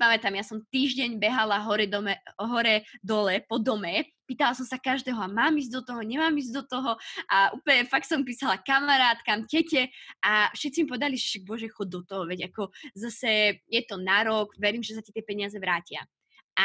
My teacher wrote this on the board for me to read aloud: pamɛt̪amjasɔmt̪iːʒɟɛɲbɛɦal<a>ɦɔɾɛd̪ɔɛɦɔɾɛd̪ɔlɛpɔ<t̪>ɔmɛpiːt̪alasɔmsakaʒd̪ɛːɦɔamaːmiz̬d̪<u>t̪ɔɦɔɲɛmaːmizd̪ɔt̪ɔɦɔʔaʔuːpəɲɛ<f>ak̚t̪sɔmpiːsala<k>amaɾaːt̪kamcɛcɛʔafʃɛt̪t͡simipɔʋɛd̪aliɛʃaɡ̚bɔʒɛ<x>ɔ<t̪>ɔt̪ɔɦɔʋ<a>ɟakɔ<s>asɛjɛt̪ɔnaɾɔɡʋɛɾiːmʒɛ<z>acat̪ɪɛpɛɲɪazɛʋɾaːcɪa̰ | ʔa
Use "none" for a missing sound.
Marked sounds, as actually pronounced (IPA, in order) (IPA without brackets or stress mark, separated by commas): a, d̪, ɔ, f, k, x, d̪, ɛ, z, s